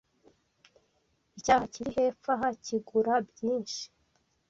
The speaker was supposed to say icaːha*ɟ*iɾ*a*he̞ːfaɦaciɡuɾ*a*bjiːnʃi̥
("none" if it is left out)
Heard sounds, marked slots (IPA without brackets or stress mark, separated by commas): c, i, a